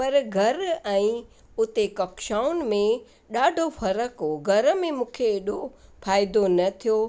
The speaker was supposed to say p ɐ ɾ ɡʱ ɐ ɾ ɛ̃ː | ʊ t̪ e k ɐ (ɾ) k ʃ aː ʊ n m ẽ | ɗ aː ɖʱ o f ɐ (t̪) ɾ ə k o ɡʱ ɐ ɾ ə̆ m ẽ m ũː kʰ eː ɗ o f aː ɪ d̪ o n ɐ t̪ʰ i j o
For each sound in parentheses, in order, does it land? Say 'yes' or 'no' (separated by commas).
no, no